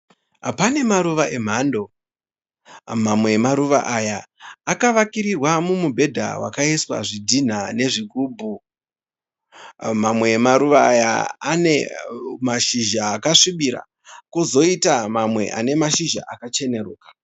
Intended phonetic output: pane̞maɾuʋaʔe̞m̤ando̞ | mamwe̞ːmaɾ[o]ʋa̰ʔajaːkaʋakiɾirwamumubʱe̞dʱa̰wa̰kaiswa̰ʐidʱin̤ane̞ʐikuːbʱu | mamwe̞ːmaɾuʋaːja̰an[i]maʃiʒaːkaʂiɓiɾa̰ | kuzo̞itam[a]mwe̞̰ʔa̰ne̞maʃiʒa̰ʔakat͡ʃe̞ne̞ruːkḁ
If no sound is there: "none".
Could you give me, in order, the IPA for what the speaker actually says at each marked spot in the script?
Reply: u, e, a

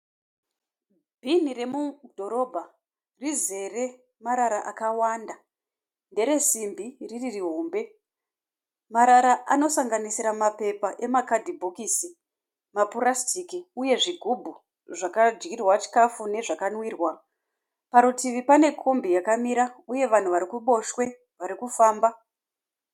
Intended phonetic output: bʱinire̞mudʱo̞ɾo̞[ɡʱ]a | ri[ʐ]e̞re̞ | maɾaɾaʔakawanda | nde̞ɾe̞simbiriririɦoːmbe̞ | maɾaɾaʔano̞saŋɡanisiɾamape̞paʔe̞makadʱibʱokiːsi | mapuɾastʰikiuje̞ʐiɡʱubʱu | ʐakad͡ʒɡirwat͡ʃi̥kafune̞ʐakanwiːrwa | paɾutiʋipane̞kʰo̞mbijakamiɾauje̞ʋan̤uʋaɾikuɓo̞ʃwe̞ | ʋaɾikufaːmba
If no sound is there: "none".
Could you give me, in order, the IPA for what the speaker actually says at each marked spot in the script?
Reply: bʱ, z

